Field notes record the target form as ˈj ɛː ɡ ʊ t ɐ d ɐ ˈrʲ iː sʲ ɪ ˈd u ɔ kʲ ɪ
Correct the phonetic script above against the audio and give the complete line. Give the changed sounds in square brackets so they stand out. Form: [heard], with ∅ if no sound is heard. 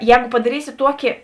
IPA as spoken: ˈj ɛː ɡ ʊ [p] ɐ d ɐ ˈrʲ iː sʲ ɪ [ˈt] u ɔ kʲ ɪ